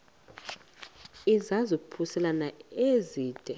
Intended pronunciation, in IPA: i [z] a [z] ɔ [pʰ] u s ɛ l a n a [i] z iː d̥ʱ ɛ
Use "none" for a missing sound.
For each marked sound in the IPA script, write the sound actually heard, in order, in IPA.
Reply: z, z, pʰ, e

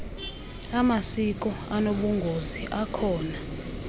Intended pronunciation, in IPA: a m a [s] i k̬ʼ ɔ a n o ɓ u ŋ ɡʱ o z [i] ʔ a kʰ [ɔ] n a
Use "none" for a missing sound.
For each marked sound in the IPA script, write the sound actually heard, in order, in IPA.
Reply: s, i, ɔː

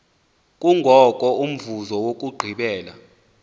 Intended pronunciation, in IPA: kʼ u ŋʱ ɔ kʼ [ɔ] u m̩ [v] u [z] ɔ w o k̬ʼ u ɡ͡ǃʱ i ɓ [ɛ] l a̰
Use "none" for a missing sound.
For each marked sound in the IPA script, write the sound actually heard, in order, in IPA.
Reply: ɔ, v, z, ɛː

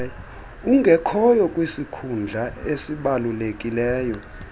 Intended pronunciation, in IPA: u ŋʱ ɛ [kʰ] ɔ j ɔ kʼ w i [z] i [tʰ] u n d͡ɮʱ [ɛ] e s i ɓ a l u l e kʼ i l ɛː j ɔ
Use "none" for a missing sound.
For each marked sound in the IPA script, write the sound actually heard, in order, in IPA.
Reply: kʰ, s, kʰ, a

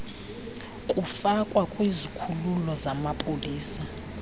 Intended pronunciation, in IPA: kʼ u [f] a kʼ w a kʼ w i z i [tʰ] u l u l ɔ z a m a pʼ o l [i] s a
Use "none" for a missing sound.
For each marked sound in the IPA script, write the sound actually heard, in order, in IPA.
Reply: f, kʰ, iː

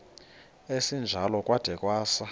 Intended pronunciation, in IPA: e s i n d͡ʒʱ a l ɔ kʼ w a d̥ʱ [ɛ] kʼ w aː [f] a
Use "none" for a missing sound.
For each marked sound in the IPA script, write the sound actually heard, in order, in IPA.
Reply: ɛ, s

